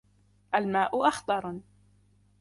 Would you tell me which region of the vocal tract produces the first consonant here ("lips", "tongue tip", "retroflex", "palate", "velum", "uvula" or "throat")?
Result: throat